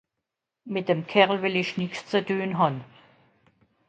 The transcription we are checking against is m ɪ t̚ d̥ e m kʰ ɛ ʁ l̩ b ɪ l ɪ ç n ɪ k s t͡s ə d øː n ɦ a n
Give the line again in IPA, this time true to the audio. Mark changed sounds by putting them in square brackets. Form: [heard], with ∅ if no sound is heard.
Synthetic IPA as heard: m ɪ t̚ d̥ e m kʰ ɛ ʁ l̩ [v] ɪ l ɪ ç n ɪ k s t͡s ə d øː n ɦ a n